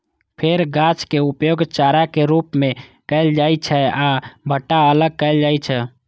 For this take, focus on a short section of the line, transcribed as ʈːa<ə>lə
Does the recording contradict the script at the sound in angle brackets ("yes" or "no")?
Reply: no